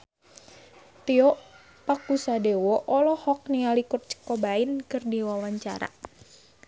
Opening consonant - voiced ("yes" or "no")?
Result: no